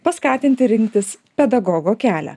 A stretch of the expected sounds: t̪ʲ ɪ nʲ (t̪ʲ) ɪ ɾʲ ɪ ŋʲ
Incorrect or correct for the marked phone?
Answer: correct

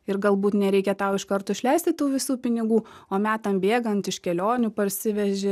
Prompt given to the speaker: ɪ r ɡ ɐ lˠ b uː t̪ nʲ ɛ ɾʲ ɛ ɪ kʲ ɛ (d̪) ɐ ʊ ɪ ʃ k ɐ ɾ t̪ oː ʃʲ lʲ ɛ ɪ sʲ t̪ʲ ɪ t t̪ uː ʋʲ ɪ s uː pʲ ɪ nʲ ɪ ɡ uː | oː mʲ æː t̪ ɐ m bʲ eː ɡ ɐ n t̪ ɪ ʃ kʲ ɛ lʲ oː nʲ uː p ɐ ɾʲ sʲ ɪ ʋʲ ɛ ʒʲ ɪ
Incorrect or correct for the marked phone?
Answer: incorrect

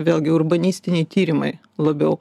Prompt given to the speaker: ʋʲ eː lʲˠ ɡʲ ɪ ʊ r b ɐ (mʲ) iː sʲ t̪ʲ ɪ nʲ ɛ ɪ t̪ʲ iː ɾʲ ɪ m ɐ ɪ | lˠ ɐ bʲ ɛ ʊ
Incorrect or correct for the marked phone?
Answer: incorrect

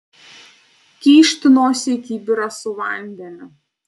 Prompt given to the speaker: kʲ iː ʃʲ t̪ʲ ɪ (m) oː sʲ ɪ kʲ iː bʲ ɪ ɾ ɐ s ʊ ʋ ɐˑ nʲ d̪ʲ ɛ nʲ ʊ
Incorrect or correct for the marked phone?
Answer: incorrect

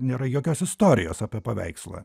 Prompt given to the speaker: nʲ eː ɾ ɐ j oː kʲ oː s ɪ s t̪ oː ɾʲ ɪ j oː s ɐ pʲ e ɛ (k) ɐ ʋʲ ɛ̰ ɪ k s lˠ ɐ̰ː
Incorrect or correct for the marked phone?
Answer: incorrect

